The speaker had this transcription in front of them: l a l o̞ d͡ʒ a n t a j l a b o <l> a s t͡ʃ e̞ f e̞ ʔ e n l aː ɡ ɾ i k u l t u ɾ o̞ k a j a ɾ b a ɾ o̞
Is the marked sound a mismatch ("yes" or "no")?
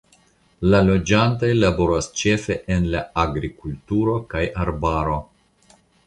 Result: yes